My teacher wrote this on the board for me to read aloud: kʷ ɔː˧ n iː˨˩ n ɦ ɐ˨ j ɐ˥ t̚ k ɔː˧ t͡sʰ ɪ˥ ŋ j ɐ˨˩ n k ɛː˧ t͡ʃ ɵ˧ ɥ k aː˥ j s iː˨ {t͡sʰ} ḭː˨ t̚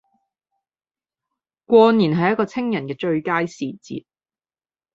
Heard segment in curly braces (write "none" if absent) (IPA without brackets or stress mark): t͡s